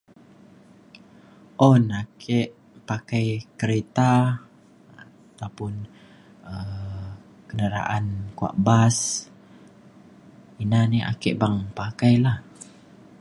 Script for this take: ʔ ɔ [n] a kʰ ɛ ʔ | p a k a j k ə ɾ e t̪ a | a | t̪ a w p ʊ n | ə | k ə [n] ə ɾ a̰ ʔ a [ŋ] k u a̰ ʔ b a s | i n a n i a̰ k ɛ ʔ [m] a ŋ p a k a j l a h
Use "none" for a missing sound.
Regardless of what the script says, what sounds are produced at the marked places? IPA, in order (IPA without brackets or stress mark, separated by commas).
n, n, n, b